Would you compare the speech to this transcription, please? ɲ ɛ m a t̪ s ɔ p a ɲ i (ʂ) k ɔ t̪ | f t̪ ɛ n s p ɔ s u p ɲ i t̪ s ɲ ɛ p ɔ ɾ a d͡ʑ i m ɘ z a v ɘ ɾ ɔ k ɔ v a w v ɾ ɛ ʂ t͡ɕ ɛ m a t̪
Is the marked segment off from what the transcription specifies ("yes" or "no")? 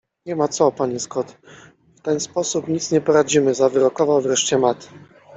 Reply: yes